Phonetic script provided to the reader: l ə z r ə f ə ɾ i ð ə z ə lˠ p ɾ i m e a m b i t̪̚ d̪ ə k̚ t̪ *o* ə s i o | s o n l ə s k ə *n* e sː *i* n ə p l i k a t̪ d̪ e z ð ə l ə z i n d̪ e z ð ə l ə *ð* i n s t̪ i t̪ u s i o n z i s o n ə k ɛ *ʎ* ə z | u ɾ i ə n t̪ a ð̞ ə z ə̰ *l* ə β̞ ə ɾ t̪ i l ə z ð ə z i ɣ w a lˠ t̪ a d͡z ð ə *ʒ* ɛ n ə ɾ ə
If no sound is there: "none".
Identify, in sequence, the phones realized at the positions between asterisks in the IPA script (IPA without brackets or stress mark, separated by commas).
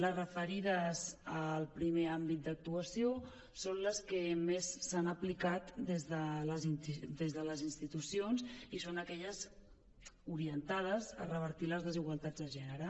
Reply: u, m, a, z, ʎ, r, ʒ